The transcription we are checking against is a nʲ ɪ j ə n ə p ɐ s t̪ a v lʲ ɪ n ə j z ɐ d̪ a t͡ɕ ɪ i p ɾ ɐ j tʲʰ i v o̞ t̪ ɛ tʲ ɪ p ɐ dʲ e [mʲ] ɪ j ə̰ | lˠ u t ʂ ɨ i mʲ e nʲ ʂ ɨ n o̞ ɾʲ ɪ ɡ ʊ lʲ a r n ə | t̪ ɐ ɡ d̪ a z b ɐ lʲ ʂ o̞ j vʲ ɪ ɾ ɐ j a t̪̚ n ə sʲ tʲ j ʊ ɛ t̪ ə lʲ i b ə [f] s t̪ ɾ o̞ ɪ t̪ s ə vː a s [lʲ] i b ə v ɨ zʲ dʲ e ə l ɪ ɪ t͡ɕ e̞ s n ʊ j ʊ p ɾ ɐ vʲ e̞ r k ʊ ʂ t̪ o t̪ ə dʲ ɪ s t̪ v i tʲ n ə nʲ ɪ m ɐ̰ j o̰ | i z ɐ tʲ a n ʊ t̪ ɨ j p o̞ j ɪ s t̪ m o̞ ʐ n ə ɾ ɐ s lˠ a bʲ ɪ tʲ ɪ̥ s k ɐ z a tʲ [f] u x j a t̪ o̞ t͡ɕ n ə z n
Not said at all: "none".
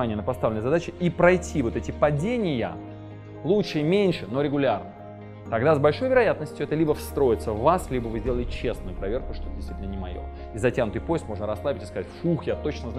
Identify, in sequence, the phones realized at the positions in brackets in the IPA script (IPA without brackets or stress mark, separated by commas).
nʲ, f, lʲ, f